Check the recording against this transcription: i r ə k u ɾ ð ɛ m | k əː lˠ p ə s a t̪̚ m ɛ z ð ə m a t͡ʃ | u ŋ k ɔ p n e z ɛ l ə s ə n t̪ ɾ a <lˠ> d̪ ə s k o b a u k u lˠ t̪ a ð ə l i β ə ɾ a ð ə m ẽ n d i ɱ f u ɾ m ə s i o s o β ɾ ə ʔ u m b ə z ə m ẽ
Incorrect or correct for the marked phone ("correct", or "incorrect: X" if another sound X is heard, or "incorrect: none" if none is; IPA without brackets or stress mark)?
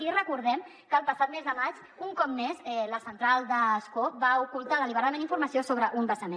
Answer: correct